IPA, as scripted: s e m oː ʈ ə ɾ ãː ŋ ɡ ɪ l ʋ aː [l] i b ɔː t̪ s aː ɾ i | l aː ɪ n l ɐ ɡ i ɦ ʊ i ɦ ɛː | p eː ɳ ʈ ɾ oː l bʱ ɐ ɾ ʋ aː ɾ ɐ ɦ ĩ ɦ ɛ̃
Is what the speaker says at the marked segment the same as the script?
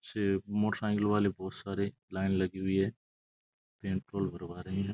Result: yes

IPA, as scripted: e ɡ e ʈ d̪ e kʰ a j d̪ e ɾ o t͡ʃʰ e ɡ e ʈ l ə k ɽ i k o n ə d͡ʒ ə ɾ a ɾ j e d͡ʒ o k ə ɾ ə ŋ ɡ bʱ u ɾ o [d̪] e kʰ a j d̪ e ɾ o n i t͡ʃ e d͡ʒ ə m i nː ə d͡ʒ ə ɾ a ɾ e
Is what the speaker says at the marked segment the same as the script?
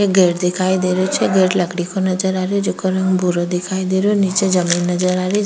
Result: yes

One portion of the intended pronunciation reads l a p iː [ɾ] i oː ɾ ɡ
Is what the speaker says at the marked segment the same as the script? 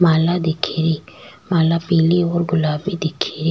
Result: no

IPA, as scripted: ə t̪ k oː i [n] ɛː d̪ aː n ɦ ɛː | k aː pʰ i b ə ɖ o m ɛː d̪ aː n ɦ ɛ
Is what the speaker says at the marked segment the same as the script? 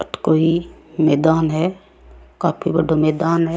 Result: no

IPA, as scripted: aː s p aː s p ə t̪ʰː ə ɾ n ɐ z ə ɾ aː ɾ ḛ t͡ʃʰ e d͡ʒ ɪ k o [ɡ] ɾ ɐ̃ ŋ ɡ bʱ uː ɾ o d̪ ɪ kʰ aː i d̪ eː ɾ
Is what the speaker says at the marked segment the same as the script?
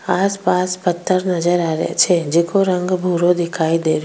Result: no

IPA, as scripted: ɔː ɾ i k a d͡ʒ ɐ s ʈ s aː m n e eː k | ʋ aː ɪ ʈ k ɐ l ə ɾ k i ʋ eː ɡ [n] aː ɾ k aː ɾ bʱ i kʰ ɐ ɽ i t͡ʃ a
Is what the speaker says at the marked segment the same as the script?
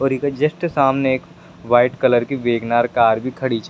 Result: yes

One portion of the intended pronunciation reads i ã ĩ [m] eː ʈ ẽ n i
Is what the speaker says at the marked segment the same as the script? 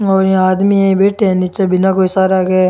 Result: no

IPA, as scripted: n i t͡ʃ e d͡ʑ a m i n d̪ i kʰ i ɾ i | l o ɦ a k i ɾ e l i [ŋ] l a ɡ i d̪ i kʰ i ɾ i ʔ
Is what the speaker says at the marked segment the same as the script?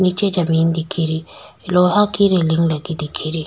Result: yes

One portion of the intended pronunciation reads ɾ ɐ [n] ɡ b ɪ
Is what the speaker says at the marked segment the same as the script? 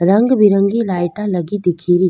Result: no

